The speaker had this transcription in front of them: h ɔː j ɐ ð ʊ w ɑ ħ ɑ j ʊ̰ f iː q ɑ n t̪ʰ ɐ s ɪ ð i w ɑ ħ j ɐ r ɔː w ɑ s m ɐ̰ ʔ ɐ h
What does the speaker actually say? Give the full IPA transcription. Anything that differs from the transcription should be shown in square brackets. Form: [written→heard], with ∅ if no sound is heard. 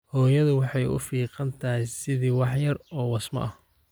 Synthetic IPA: h ɔː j ɐ ð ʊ w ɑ ħ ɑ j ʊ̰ f iː q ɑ n t̪ʰ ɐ s ɪ ð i w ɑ ħ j ɐ r ɔː w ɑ s m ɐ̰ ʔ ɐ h

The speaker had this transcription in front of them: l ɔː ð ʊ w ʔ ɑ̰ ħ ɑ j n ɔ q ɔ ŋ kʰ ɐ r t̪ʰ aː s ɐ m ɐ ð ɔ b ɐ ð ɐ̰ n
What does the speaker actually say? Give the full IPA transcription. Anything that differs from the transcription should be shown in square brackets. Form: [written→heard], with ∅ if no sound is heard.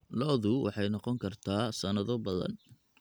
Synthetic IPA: l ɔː ð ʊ w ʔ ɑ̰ ħ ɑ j n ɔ q ɔ ŋ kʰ ɐ r t̪ʰ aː s ɐ [m→n] ɐ ð ɔ b ɐ ð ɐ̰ n

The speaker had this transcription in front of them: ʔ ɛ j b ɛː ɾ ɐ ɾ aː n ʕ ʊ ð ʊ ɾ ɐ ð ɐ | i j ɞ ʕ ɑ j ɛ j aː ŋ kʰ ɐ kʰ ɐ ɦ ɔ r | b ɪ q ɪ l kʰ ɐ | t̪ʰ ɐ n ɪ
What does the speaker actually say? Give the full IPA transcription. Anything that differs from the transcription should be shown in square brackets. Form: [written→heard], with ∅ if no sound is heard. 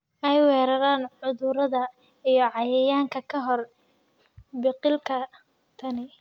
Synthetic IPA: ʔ ɛ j [b→w] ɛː ɾ ɐ ɾ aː n ʕ ʊ ð ʊ ɾ ɐ ð ɐ | i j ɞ ʕ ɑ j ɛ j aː ŋ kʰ ɐ kʰ ɐ ɦ ɔ r | b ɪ q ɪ l kʰ ɐ | t̪ʰ ɐ n ɪ

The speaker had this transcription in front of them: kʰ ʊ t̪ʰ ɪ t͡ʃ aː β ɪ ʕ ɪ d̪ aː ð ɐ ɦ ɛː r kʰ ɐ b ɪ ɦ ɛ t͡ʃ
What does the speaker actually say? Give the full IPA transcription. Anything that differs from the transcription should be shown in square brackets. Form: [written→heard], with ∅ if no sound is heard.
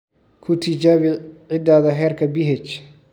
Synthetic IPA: kʰ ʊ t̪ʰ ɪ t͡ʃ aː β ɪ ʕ ɪ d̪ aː ð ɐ ɦ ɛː r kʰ ɐ b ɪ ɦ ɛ t͡ʃ

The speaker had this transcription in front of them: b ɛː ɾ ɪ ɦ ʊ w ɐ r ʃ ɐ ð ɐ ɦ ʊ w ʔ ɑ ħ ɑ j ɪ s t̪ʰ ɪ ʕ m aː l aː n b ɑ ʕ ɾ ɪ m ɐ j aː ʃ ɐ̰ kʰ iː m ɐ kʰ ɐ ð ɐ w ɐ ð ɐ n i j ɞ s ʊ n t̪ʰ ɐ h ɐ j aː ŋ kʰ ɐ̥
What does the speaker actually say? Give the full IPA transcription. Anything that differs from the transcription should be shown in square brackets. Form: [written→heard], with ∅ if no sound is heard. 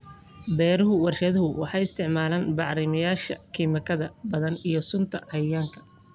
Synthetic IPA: b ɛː ɾ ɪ ɦ ʊ w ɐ r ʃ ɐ ð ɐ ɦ ʊ w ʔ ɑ ħ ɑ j ɪ s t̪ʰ ɪ ʕ m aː l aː n b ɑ ʕ ɾ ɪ m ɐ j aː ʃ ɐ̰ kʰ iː m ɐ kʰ ɐ ð ɐ [w→b] ɐ ð ɐ n i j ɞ s ʊ n t̪ʰ ɐ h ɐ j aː ŋ kʰ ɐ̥

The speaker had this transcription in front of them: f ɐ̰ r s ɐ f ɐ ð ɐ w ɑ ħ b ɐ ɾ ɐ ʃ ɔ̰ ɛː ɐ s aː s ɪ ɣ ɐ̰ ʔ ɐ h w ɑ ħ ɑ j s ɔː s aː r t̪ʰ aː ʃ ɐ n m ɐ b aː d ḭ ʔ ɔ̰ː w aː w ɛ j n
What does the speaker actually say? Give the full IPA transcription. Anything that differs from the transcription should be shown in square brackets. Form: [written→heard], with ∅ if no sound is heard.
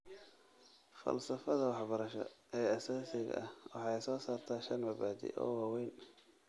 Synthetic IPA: f ɐ̰ [r→l] s ɐ f ɐ ð ɐ w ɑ ħ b ɐ ɾ ɐ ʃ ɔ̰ ɛː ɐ s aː s ɪ ɣ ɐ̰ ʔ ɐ h w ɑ ħ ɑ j s ɔː s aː r t̪ʰ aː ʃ ɐ n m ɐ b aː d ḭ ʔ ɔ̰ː w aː w ɛ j n

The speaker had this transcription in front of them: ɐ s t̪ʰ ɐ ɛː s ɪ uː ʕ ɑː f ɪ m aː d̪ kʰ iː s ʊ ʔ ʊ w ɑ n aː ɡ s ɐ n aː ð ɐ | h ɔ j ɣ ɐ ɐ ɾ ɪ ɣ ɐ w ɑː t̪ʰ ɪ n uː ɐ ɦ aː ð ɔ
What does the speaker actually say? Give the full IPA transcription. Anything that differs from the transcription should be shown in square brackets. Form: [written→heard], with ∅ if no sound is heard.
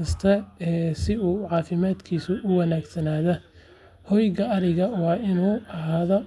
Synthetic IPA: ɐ s t̪ʰ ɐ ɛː s ɪ uː ʕ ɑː f ɪ m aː d̪ kʰ iː s ʊ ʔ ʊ w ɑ n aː ɡ s ɐ n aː ð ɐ | h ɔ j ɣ ɐ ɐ ɾ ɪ ɣ ɐ w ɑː [t̪ʰ→∅] ɪ n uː ɐ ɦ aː ð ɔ

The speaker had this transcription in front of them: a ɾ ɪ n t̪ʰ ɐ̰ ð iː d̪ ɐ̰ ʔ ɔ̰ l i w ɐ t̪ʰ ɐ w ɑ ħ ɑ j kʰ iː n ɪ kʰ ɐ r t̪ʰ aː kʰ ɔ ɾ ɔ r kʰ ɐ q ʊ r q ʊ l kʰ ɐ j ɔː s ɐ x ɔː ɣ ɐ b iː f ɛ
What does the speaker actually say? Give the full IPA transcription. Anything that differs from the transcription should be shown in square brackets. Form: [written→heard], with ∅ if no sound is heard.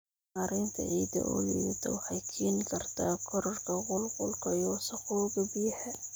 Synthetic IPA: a ɾ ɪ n t̪ʰ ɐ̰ [ð→ʕ] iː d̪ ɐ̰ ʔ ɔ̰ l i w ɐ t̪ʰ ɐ w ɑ ħ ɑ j kʰ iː n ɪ kʰ ɐ r t̪ʰ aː kʰ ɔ ɾ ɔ r kʰ ɐ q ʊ [r→l] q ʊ l kʰ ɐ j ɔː s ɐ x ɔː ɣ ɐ b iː [f→ħ] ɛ

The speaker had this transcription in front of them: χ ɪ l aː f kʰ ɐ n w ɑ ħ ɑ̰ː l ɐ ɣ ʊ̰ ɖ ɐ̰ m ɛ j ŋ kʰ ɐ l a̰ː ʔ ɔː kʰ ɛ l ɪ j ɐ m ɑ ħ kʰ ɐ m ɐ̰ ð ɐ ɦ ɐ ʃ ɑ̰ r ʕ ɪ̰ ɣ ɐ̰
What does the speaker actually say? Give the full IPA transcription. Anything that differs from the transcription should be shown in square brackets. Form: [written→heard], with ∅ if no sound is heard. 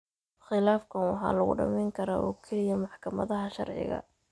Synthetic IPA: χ ɪ l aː f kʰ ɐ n w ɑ ħ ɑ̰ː l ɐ ɣ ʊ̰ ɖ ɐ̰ m ɛ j ŋ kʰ ɐ [l→ɾ] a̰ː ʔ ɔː kʰ ɛ l ɪ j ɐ m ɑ ħ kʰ ɐ m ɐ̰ ð ɐ ɦ ɐ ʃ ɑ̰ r ʕ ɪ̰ ɣ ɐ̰

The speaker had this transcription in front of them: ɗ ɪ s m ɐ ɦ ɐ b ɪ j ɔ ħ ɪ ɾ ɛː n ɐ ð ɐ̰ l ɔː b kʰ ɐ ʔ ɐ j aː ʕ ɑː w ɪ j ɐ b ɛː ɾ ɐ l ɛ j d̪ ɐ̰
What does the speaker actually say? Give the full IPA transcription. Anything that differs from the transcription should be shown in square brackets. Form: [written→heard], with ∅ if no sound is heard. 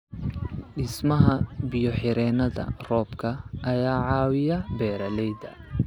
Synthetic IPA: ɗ ɪ s m ɐ ɦ ɐ b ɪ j ɔ ħ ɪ ɾ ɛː n ɐ ð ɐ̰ [l→r] ɔː b kʰ ɐ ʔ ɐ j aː ʕ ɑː w ɪ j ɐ b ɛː ɾ ɐ l ɛ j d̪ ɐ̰

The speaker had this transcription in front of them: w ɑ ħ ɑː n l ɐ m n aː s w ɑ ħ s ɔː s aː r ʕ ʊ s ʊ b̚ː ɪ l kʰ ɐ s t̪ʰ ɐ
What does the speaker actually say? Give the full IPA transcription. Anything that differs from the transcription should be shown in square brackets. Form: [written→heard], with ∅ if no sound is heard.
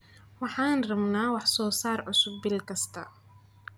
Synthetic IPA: w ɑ ħ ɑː n [l→r] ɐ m n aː [s→∅] w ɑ ħ s ɔː s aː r ʕ ʊ s ʊ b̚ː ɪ l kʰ ɐ s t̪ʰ ɐ

